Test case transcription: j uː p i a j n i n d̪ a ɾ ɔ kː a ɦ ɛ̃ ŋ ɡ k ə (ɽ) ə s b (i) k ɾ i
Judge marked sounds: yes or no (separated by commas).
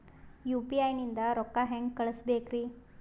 no, no